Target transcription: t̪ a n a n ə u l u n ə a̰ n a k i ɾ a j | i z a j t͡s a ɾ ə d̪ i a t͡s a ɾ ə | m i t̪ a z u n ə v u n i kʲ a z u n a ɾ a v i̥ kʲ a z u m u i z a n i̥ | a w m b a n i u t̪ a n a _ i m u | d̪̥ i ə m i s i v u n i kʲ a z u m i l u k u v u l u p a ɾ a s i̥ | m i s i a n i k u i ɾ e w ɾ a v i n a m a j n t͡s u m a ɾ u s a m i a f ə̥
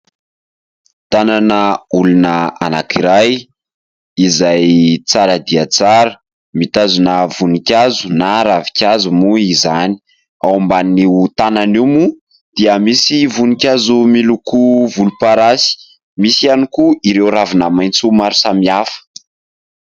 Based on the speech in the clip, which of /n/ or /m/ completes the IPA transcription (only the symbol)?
n